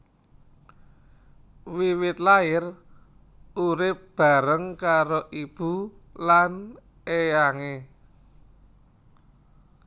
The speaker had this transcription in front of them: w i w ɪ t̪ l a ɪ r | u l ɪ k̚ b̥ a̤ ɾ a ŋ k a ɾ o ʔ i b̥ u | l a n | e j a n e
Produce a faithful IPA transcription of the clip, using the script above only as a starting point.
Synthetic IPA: w i w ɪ t̪ l a ɪ r | u ɾ ɪ p̚ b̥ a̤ ɾ ə ŋ k a ɾ o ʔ i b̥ u | l a n | e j a ŋ e